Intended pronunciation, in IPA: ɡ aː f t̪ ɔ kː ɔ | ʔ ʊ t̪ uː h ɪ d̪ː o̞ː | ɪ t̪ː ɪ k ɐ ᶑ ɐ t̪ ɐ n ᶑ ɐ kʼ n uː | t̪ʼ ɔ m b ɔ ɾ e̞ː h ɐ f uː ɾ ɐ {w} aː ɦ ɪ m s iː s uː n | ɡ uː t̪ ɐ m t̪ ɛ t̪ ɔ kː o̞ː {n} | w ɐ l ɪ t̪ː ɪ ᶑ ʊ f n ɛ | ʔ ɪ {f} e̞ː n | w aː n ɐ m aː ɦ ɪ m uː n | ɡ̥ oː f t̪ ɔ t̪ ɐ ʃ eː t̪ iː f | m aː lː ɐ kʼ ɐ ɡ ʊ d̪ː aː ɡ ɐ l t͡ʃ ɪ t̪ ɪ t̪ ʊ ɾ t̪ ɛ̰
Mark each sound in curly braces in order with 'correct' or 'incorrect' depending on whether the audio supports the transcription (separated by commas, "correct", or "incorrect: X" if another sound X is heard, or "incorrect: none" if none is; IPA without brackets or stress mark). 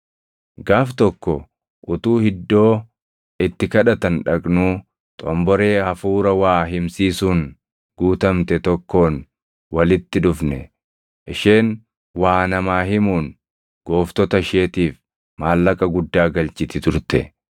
correct, correct, incorrect: ʃ